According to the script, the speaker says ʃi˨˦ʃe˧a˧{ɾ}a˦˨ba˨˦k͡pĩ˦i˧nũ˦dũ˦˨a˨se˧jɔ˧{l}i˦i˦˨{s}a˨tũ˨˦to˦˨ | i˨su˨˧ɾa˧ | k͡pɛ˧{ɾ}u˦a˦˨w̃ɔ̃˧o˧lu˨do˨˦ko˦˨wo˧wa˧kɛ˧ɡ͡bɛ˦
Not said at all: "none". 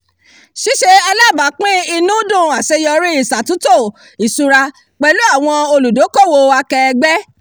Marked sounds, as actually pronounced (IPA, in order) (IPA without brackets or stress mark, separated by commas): l, ɾ, s, l